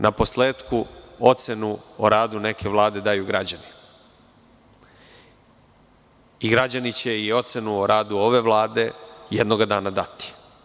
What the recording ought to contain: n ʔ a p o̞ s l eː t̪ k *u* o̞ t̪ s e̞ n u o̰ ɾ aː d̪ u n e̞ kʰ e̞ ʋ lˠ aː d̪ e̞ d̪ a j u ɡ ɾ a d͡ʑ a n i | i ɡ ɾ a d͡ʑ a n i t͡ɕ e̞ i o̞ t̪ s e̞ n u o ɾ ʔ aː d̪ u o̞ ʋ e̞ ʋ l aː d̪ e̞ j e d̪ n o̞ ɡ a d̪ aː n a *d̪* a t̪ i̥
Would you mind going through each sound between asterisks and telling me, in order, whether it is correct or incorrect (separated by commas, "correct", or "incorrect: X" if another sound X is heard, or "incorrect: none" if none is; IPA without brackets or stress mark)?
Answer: correct, correct